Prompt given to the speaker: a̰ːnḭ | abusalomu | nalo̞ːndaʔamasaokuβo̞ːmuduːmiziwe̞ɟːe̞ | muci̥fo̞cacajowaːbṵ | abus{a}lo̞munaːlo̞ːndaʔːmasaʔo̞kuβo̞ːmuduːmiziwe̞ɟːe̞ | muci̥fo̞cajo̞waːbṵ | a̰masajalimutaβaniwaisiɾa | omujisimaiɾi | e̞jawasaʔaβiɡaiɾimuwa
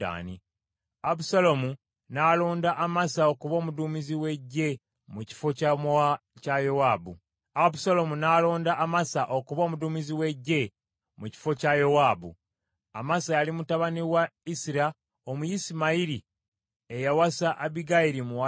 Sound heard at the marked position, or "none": a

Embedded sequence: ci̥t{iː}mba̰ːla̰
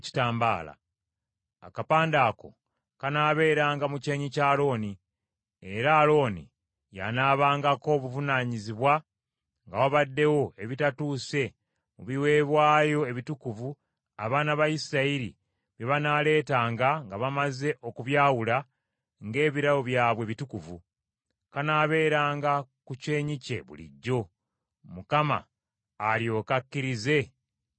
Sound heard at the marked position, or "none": aː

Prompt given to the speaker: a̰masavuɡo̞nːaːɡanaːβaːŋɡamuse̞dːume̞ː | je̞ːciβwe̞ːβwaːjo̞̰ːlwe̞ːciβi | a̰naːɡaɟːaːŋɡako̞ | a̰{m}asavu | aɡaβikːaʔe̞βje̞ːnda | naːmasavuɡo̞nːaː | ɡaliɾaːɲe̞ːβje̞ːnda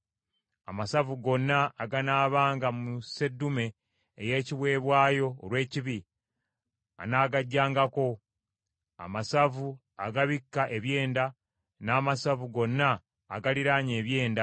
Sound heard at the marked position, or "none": m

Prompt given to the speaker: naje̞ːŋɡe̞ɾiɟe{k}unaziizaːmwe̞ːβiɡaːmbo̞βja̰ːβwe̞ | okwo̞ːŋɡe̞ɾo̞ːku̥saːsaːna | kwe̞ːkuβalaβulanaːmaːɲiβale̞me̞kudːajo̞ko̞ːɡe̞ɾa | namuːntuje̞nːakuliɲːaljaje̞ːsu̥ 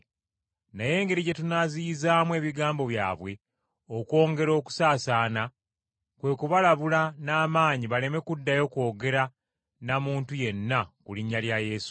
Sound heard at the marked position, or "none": t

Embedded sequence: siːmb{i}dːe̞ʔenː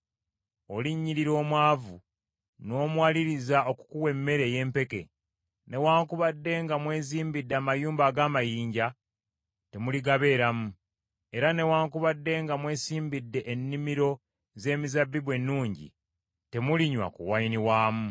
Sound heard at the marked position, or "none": i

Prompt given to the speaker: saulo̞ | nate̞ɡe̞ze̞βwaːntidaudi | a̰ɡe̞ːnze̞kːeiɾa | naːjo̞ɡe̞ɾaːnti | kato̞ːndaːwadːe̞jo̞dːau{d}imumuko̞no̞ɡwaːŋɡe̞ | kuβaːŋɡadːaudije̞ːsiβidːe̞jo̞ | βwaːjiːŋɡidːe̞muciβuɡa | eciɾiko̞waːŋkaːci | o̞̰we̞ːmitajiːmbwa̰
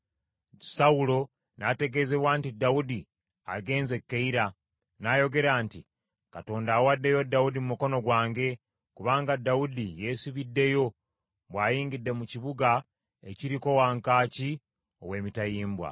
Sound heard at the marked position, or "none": d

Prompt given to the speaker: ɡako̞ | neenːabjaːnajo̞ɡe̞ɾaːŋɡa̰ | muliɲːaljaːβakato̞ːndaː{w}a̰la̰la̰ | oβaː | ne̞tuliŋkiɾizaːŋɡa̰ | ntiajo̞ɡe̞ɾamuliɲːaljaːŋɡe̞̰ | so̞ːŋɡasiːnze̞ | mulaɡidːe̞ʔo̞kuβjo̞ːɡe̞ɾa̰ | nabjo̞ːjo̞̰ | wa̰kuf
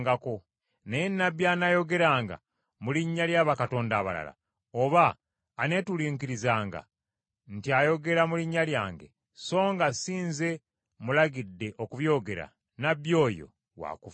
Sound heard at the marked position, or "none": β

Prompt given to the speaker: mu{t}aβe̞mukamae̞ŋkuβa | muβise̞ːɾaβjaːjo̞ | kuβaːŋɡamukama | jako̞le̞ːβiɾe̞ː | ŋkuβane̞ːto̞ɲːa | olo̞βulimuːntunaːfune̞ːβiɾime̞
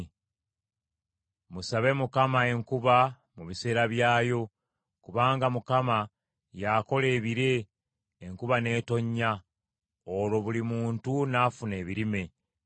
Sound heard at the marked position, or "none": s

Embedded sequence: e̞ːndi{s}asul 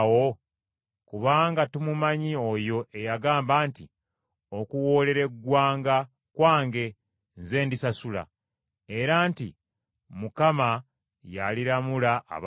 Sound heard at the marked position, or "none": s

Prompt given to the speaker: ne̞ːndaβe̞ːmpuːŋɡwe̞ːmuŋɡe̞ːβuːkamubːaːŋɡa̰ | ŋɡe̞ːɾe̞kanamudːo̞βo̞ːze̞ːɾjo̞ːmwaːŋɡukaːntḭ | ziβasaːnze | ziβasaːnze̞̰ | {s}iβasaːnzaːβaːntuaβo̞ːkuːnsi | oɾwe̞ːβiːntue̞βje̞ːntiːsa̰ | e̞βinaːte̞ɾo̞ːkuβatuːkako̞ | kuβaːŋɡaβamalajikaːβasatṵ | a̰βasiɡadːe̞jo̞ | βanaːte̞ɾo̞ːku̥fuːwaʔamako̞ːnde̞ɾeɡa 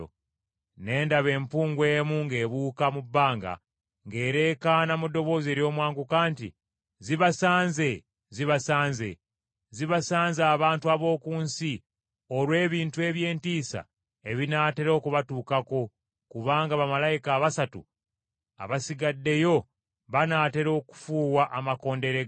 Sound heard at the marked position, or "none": z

